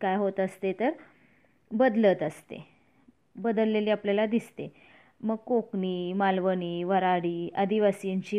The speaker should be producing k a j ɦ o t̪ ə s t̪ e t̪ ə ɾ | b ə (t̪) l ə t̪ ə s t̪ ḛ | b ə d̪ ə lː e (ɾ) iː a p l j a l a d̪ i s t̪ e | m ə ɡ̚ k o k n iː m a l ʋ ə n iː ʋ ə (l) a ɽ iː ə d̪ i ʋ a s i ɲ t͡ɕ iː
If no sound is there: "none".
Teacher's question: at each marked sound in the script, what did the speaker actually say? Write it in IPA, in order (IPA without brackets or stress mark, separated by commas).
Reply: d̪, l, ɾ